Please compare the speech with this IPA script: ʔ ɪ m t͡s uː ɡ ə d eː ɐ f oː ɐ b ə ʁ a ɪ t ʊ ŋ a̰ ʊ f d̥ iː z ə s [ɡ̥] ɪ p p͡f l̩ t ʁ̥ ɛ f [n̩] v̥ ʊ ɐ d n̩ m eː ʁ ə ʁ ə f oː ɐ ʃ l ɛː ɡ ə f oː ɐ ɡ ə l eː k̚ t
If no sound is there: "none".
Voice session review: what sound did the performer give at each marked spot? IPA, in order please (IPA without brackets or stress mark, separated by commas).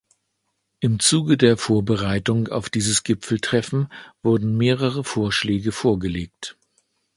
ɡ̥, n̩